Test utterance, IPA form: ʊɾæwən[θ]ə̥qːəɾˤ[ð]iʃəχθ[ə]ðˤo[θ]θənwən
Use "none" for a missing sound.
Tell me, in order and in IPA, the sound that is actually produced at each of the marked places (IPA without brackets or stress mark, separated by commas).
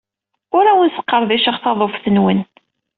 s, ð, ɑ, f